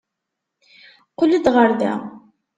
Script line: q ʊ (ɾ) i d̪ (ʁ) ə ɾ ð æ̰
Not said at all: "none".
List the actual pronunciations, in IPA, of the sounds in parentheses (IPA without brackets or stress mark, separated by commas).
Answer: l, ʁ